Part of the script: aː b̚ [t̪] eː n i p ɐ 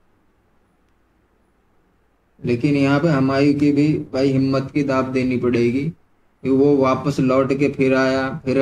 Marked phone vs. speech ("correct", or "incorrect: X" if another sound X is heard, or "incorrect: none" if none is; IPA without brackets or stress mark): incorrect: d̪